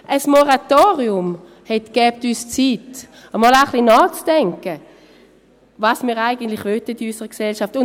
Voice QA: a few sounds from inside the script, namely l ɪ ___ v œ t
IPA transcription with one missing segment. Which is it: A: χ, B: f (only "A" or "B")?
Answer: A